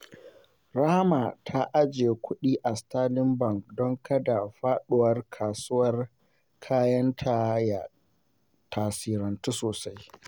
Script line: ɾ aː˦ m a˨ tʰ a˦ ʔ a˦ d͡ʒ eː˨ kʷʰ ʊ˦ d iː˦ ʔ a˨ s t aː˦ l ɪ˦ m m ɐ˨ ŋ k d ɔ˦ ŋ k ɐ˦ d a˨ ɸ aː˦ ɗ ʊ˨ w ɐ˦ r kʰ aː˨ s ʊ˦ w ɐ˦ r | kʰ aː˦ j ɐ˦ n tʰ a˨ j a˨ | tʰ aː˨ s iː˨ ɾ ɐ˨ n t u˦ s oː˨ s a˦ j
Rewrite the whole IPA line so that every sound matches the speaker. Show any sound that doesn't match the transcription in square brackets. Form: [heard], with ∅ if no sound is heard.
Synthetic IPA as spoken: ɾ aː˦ m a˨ tʰ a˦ ʔ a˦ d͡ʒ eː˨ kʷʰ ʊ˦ [ɗ] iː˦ ʔ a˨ s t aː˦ l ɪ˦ m [b] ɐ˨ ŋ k d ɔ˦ ŋ k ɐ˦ d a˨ ɸ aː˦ ɗ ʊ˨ w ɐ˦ r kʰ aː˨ s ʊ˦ w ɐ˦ r | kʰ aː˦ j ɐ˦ n tʰ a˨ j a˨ | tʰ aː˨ s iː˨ ɾ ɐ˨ n t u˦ s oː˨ s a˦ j